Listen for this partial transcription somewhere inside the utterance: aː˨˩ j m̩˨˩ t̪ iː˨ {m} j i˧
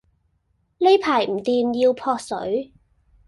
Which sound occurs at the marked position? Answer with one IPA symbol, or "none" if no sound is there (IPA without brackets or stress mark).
m